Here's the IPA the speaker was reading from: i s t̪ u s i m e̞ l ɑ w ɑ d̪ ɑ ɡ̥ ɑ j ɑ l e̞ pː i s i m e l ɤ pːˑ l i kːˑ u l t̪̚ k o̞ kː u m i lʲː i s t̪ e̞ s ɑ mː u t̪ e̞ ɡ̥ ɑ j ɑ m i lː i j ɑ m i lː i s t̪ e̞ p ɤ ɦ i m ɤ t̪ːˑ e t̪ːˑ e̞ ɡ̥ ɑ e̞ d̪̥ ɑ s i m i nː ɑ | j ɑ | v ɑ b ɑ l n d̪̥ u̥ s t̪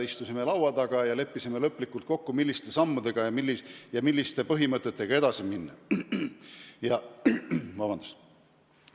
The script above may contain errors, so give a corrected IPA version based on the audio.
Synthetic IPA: i s t̪ u s i m e̞ l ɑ w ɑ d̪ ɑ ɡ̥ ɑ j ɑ l e̞ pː i s i m e l ɤ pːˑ l i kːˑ u l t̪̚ k o̞ kː u m i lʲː i s t̪ e̞ s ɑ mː u d̪ e̞ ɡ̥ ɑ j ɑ m i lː i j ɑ m i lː i s t̪ e̞ p ɤ ɦ i m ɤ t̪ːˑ e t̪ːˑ e̞ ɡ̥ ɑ e̞ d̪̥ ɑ s i m i nː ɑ | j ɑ | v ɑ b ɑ n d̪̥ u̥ s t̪